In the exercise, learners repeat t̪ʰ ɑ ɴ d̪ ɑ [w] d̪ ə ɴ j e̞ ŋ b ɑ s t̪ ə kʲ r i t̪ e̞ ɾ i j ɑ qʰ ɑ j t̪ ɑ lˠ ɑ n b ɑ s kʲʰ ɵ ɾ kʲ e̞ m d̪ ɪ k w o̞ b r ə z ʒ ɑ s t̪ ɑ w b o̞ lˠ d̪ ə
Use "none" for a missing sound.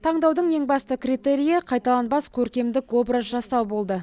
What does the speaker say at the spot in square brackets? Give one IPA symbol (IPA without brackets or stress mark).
w